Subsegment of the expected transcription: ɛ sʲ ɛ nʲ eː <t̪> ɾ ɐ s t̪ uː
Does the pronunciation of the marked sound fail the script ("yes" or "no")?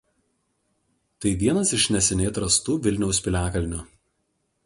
no